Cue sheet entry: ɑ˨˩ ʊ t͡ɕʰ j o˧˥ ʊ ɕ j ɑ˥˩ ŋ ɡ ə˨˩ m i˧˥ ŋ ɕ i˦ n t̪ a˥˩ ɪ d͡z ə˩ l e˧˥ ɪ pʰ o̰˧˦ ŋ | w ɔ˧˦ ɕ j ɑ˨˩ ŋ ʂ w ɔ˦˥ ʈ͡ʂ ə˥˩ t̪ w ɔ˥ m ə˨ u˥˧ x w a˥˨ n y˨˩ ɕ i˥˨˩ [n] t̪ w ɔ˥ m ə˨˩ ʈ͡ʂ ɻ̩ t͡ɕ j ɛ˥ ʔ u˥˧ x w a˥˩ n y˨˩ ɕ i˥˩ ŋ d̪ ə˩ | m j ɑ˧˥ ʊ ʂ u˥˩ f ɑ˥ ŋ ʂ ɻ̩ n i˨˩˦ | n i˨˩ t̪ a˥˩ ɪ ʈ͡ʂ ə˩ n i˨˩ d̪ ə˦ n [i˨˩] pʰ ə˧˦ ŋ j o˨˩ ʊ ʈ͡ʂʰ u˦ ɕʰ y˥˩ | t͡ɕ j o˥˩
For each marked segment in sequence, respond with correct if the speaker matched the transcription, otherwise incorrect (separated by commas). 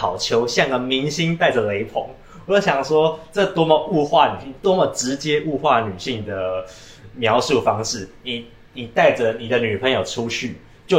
incorrect, incorrect